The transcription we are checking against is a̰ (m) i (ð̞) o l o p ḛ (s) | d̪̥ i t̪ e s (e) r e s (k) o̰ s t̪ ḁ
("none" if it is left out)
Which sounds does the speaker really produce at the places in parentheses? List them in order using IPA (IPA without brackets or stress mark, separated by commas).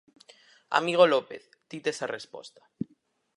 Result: m, ɣ̞, θ, a, p